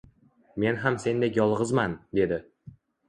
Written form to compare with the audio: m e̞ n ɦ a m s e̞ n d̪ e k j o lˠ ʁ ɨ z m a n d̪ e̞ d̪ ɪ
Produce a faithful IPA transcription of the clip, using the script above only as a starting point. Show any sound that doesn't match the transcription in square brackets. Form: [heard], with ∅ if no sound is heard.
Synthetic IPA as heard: m e̞ n ɦ a m s e̞ n d̪ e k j [ɒ] lˠ ʁ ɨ z m a n d̪ e̞ d̪ ɪ